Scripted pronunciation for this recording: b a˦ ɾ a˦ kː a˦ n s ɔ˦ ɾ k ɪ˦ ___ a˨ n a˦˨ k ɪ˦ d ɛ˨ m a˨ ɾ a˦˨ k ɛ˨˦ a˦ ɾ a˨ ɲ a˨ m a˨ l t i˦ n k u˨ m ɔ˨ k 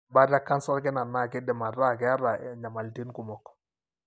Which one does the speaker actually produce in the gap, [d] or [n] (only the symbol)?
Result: n